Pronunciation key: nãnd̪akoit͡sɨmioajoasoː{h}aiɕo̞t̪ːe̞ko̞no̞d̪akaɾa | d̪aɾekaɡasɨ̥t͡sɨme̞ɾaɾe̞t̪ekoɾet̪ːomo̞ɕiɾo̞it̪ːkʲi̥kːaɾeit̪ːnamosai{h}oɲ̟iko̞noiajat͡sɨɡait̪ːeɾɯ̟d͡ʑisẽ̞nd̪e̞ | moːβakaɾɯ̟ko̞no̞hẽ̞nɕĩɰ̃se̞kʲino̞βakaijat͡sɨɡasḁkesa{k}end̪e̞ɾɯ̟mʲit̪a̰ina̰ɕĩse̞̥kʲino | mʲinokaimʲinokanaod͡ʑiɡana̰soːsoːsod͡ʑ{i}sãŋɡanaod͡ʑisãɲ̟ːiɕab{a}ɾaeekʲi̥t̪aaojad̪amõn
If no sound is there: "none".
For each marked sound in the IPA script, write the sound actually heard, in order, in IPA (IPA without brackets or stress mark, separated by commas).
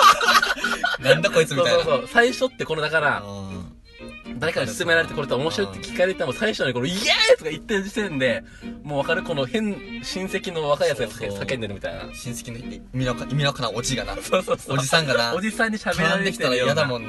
s, ɕ, k, i, e